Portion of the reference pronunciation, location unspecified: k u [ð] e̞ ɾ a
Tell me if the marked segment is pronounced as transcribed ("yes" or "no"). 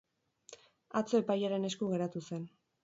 no